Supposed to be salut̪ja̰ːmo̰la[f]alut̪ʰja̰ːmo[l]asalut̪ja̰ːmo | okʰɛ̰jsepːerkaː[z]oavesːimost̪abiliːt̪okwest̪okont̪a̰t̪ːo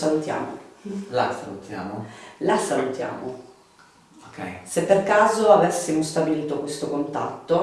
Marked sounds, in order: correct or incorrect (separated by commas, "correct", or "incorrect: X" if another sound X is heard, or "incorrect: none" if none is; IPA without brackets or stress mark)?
incorrect: s, correct, correct